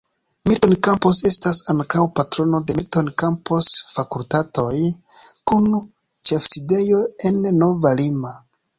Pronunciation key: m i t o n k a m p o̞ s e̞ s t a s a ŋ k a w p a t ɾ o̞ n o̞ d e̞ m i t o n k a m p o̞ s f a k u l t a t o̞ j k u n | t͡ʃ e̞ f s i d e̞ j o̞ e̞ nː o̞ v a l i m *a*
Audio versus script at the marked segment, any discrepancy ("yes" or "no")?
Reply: no